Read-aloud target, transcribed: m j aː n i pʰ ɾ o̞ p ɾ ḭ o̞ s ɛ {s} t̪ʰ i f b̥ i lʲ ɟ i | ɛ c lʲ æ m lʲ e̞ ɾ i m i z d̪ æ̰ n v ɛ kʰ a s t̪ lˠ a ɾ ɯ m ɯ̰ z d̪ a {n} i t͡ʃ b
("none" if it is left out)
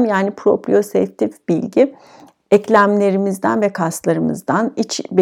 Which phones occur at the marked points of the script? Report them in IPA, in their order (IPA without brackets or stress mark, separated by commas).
f, n